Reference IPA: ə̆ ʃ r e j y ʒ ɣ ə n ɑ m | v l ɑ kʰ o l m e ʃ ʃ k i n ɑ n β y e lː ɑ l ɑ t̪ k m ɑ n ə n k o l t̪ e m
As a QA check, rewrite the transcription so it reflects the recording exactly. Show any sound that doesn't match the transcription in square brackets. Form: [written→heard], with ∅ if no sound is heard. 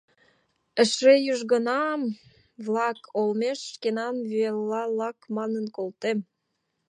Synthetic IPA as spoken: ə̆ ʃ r e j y ʒ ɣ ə n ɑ m | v l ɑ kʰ o l m e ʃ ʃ k [i→e] n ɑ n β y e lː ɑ l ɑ [t̪→∅] k m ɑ n ə n k o l t̪ e m